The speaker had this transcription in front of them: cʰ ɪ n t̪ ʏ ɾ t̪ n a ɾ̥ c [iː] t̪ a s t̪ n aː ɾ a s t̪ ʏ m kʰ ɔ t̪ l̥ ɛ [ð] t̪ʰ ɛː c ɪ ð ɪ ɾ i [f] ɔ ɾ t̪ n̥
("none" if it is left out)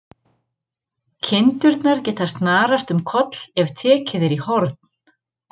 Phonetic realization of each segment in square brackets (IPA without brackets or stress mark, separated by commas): ɛː, v, h